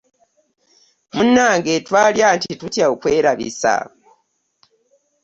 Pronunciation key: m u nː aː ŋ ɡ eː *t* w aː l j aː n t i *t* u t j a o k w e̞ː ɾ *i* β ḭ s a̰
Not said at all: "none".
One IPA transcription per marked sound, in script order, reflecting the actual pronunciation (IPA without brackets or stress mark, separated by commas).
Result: t, t, a